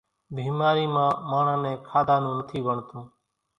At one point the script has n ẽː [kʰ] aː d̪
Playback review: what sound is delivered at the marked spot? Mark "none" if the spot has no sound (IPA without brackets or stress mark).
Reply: kʰ